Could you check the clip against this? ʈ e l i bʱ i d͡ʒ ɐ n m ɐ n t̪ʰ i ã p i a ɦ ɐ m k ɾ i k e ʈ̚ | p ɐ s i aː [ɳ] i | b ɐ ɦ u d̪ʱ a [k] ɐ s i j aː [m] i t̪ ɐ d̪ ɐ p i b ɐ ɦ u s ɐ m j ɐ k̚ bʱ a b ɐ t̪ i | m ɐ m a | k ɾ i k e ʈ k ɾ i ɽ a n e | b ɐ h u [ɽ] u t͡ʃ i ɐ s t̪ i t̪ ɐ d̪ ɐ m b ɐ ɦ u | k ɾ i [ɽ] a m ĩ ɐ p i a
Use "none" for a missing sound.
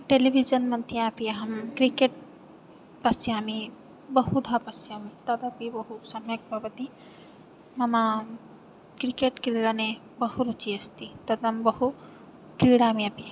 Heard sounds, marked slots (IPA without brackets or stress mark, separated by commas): m, p, m, ɾ, ɽ